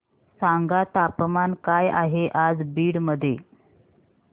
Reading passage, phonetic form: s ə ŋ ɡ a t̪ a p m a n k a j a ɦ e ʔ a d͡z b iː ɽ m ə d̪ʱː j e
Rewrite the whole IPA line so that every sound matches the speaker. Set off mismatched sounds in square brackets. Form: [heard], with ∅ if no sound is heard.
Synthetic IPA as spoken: s [a] ŋ ɡ a t̪ a p m a n k a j a ɦ e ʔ a d͡z b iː ɽ m ə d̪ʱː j e